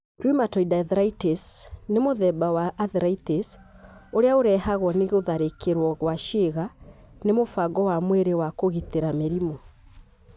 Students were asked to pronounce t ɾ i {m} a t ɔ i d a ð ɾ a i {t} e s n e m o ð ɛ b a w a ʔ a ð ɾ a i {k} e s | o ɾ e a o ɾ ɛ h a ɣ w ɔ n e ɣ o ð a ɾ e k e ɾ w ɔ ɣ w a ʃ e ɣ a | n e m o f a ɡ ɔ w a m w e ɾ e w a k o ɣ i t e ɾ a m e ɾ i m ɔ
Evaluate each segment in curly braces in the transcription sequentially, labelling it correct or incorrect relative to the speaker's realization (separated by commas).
correct, correct, incorrect